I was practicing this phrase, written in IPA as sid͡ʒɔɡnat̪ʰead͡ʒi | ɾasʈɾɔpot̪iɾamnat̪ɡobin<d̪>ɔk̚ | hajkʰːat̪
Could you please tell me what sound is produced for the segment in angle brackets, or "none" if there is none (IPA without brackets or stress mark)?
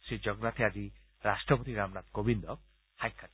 d̪